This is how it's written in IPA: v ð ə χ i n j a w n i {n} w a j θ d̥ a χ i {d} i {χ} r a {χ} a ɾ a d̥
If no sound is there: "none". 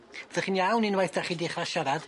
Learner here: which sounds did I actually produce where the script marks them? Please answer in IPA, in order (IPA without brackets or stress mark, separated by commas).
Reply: n, d, χ, ʃ